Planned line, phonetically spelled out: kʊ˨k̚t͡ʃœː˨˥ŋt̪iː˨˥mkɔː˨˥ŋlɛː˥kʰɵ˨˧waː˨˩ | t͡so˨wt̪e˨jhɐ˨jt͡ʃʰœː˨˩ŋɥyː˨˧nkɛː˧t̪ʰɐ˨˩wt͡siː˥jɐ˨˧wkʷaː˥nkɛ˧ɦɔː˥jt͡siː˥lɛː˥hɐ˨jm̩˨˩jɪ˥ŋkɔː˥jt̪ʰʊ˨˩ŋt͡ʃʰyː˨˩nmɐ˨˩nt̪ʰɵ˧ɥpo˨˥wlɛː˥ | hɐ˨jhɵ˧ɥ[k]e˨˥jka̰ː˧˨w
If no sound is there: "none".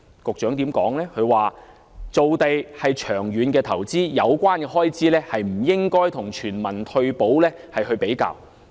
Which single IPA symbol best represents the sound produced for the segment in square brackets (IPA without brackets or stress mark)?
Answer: p